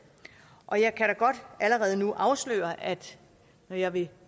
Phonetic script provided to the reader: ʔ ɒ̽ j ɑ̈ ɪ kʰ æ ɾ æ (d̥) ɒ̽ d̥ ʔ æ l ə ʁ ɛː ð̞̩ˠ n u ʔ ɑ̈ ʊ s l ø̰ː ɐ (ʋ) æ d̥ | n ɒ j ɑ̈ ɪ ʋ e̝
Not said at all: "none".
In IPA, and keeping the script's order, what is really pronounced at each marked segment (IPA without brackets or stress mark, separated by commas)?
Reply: ɡ̥, none